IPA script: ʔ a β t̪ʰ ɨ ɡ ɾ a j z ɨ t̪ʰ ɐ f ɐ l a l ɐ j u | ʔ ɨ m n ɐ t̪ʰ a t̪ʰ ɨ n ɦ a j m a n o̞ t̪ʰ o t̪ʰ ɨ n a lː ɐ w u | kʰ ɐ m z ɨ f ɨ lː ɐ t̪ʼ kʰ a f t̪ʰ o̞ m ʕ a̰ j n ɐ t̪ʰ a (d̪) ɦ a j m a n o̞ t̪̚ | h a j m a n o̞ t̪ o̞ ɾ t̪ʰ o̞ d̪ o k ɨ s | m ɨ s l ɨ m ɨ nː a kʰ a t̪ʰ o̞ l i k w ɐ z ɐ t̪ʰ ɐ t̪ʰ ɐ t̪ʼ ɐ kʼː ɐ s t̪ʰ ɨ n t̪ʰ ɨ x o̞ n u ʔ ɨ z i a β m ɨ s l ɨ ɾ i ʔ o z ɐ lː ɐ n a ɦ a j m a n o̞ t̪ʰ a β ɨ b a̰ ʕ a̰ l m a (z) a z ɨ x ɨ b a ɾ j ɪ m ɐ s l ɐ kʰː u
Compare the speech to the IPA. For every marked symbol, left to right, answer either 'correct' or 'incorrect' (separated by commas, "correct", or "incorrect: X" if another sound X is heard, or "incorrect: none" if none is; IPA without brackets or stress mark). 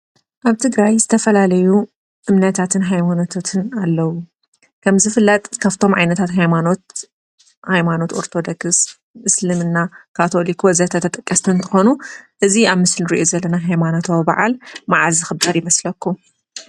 incorrect: t̪, incorrect: ʕ